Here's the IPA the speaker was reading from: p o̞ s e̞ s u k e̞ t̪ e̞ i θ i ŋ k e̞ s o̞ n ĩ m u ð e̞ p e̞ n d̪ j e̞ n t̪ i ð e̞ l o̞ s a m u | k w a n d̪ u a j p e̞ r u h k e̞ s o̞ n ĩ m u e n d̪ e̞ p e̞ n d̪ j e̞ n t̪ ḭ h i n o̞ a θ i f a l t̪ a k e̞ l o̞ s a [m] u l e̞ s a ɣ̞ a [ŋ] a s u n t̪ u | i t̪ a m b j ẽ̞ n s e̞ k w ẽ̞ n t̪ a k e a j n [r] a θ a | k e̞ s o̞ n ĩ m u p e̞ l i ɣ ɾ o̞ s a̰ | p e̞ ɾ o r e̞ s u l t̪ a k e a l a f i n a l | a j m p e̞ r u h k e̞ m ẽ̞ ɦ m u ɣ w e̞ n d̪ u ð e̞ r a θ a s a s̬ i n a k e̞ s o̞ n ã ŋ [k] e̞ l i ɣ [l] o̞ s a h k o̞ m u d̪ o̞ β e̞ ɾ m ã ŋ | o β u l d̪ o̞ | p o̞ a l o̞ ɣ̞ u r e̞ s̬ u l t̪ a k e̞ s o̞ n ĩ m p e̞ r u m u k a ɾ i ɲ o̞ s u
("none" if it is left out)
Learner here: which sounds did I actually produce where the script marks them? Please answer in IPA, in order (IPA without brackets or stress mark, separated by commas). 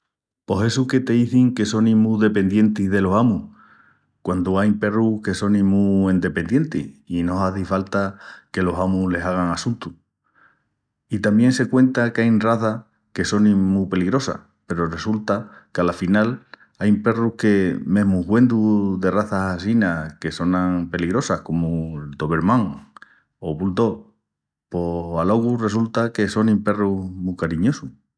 m, ŋ, r, p, ɾ